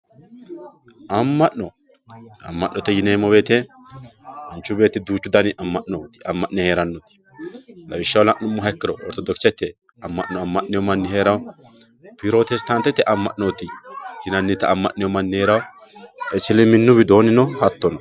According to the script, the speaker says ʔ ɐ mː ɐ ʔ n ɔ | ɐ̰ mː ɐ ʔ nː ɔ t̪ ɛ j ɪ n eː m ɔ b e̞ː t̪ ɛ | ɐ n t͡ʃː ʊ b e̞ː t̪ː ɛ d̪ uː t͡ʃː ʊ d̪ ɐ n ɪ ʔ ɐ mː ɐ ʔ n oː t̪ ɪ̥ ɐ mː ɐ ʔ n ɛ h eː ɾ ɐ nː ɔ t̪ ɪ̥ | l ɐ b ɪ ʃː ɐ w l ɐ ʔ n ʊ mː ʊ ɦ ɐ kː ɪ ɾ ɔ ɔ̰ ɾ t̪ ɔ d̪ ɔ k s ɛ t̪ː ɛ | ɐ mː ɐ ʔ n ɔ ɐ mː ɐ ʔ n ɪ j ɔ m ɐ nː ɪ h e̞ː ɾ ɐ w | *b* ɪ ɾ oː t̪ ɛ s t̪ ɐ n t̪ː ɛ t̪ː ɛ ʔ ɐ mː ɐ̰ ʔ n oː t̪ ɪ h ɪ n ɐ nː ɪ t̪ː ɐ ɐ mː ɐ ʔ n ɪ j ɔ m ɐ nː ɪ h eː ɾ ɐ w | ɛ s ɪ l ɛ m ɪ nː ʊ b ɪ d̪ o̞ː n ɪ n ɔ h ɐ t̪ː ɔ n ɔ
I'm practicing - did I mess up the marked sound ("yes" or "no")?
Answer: yes